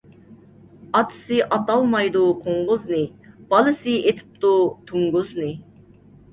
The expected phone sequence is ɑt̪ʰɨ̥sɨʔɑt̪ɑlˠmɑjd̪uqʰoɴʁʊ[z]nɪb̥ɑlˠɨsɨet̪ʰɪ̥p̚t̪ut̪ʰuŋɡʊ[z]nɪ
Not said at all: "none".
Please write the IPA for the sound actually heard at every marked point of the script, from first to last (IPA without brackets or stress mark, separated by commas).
z, z